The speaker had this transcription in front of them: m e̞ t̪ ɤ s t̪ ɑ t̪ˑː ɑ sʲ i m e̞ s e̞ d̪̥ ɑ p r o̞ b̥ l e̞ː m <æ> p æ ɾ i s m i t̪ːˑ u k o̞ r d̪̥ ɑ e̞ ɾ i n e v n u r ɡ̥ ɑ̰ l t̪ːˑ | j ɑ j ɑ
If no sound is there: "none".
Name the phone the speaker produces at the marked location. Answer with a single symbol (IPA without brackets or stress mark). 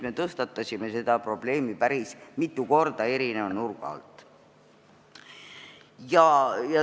i